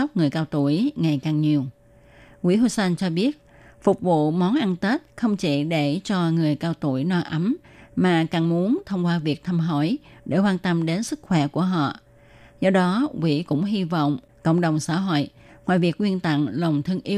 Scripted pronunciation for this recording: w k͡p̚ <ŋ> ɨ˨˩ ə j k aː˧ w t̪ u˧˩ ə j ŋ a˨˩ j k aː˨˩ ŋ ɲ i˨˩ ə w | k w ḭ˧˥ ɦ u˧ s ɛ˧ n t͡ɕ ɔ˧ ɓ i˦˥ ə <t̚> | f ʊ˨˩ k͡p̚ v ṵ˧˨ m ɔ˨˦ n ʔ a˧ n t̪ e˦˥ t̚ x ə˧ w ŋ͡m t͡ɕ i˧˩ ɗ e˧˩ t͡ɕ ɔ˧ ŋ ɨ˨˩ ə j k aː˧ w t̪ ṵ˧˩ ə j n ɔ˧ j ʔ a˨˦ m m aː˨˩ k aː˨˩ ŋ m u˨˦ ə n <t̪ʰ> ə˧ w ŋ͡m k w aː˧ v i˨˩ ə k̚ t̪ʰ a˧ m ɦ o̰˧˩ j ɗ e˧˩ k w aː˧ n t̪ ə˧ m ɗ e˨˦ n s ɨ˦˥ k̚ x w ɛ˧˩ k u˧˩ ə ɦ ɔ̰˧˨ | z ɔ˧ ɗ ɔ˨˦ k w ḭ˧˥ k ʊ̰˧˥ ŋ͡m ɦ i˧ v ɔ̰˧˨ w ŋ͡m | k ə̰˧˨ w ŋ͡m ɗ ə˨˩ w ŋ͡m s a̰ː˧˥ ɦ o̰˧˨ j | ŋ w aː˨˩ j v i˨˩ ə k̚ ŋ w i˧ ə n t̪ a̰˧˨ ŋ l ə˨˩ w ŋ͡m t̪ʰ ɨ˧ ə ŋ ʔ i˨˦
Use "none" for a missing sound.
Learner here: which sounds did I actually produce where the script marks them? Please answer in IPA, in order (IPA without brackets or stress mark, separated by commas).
ŋ, t̚, t̪ʰ